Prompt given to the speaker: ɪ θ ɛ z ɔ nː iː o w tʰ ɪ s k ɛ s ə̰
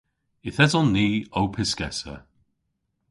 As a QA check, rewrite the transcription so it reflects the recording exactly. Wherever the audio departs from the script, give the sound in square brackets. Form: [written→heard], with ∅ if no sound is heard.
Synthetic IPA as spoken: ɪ θ ɛ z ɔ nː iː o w [tʰ→pʰ] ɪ s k ɛ s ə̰